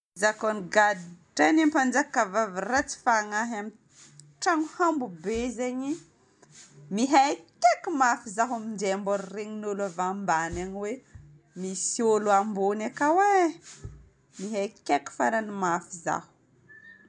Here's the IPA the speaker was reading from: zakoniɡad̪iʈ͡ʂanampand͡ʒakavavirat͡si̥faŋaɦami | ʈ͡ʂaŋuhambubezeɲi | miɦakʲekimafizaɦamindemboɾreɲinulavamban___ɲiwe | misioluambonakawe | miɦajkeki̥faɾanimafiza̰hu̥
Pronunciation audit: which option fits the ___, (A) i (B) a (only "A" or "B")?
B